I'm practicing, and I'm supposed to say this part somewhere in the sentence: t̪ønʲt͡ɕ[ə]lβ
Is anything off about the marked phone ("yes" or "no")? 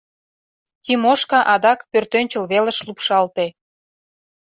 no